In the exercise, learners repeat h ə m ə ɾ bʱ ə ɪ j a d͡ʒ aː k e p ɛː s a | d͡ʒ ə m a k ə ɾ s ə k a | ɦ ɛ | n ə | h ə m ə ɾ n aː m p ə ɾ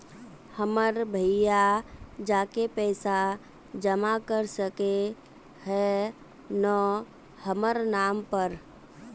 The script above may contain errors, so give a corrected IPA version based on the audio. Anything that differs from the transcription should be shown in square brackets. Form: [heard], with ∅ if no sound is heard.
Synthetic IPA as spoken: h ə m ə ɾ bʱ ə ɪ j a d͡ʒ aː k e p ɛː s a | d͡ʒ ə m a k ə ɾ s ə k [e] | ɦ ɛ | n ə | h ə m ə ɾ n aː m p ə ɾ